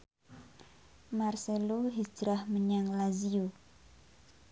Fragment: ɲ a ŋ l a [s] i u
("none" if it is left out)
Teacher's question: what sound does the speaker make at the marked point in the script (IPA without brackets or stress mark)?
z